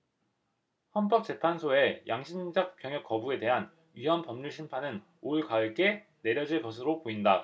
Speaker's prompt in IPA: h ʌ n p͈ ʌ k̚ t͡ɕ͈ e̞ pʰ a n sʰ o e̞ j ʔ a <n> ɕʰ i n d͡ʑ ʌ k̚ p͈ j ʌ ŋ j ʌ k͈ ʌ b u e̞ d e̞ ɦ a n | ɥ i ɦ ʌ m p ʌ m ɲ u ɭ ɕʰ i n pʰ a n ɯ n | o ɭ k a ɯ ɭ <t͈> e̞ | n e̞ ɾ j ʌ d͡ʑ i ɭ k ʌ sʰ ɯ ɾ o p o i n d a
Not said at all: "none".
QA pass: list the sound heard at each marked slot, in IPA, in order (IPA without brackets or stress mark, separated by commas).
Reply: ŋ, k͈